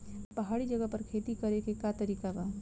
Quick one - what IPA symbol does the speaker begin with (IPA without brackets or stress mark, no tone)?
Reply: p